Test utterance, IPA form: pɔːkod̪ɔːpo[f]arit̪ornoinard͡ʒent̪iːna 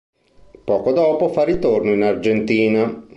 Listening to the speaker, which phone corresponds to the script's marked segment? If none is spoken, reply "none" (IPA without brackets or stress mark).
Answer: f